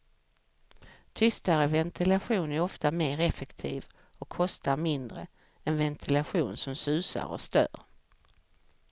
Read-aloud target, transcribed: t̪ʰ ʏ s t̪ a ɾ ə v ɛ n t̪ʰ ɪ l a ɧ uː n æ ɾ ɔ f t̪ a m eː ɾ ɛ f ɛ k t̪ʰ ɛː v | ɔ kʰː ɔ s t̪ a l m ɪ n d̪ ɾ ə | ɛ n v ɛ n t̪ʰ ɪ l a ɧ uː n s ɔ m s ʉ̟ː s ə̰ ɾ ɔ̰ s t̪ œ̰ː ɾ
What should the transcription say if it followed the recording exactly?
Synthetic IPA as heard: t̪ʰ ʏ s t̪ a ɾ ə v ɛ n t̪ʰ ɪ l a ɧ uː n æ ɾ ɔ f t̪ a m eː ɾ ɛ f ɛ k t̪ʰ iː v | ɔ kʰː ɔ s t̪ a ɾ m ɪ n d̪ ɾ ə | ɛ n v ɛ n t̪ʰ ɪ l a ɧ uː n s ɔ m s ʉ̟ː s a̰ ɾ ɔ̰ s t̪ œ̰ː ɾ

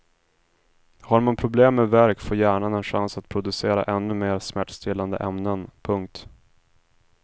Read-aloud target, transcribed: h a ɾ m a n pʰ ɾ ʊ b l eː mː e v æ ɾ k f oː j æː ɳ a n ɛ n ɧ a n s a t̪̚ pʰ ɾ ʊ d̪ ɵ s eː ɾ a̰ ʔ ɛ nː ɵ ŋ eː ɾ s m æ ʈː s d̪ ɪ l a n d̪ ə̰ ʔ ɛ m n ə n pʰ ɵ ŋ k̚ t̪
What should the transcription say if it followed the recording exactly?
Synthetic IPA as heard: h a ɾ m a n pʰ ɾ ʊ b l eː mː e v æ ɾ k f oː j æː ɳ a n ɛ n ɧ a n s a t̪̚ pʰ ɾ ʊ d̪ ɵ s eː ɾ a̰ ʔ ɛ nː ɵ m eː ɾ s m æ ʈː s t̪ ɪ l a n d̪ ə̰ ʔ ɛ m n ə n pʰ ɵ ŋ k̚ t̪

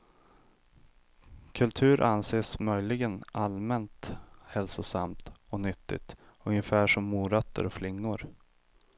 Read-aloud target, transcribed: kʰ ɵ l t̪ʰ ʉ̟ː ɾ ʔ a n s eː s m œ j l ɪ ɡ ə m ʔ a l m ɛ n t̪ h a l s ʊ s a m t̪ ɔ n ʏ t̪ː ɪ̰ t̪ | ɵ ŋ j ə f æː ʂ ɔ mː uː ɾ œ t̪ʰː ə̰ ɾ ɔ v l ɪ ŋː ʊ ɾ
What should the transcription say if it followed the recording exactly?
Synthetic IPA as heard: kʰ ɵ l t̪ʰ ʉ̟ː ɾ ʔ a n s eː s m œ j l ɪ ɡ ə n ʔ a l m ɛ n t̪ h ɛ l s ʊ s a m t̪ ɔ n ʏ t̪ː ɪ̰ t̪ | ɵ ŋ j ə f æː ʂ ɔ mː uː ɾ œ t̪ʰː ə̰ ɾ ɔ f l ɪ ŋː ʊ ɾ

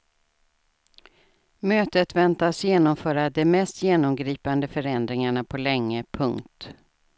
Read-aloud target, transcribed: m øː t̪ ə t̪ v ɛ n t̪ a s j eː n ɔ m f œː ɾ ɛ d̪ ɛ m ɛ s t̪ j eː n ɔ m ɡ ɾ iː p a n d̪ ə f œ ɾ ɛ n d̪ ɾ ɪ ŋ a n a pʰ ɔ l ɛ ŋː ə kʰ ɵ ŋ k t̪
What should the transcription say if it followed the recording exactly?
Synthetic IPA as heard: m øː t̪ ə t̪ v ɛ n t̪ a s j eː n ɔ m f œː ɾ a d̪ ɛ m ɛ s t̪ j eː n ɔ m ɡ ɾ iː p a n d̪ ə f œ ɾ ɛ n d̪ ɾ ɪ ŋ a ɳ a pʰ ɔ l ɛ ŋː ə pʰ ɵ ŋ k t̪

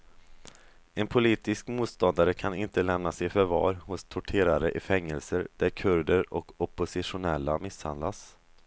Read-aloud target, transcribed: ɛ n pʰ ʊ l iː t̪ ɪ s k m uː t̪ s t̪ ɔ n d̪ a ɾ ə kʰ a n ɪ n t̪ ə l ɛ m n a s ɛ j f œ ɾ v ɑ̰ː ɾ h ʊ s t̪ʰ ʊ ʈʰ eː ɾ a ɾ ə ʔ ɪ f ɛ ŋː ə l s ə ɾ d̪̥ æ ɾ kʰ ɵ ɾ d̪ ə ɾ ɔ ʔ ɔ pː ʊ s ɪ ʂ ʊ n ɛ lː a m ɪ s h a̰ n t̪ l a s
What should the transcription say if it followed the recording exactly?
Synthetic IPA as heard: ɛ n pʰ ʊ l iː t̪ ɪ s k m uː t̪ s t̪ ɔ n d̪ a ɾ ə kʰ a n ɪ n t̪ ə l ɛ m n a s ɛ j f œ ɾ v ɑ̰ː ɾ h ʊ s t̪ʰ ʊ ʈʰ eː ɾ a ɾ ə ʔ ɪ f ɛ ŋː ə l s ə ɾ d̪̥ æ ɾ kʰ ɵ ɾ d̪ ə ɾ ɔ k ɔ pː ʊ s ɪ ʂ ʊ n ɛ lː a m ɪ s h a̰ n d̪ l a s

